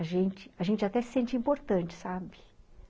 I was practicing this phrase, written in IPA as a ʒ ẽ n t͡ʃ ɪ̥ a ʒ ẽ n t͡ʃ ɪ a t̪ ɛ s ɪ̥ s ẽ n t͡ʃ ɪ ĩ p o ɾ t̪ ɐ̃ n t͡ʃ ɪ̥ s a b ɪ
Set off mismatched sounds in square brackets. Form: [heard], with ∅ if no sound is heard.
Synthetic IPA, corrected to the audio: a ʒ ẽ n t͡ʃ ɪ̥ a ʒ ẽ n t͡ʃ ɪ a t̪ ɛ s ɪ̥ s ẽ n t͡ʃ ɪ ĩ p o ɾ t̪ ɐ̃ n t͡ʃ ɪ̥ s a b ɪ